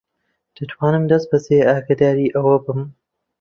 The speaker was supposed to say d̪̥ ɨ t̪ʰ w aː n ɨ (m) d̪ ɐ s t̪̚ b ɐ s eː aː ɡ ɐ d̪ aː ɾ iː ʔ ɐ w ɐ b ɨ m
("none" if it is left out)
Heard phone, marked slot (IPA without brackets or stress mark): m